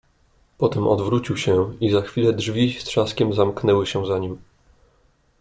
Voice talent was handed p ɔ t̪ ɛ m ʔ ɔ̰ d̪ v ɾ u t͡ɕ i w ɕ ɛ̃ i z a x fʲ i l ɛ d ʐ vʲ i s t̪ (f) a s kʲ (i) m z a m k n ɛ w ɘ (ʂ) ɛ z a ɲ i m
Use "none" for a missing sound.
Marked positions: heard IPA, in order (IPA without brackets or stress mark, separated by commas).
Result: ʂ, ɛ, ɕ